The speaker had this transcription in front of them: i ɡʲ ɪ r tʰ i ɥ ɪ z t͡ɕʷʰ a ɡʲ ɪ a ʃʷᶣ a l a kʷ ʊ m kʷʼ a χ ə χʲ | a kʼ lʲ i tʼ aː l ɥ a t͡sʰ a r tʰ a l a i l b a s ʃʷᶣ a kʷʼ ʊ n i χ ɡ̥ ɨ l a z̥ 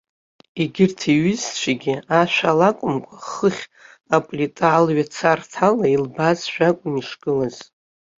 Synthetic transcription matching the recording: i ɡʲ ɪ r tʰ i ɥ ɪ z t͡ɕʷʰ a ɡʲ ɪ a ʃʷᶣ a l a kʷʼ ʊ m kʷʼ a χ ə χʲ | a pʼ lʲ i tʼ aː l ɥ a t͡sʰ a r tʰ a l a i l b a z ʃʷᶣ a kʷʼ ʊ n i ʂ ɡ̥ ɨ l a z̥